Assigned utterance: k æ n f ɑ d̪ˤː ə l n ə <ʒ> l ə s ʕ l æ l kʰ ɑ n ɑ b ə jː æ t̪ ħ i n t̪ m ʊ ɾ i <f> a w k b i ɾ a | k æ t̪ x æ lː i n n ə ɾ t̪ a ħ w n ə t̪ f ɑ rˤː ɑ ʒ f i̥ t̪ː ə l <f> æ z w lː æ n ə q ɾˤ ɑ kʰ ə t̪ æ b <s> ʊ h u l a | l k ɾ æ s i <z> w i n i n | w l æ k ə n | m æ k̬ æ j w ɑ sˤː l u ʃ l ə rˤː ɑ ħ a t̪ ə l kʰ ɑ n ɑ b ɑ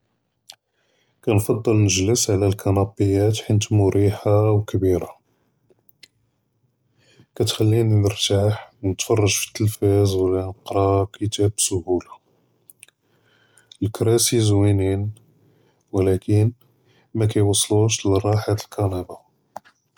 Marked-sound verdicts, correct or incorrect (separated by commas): correct, incorrect, correct, correct, correct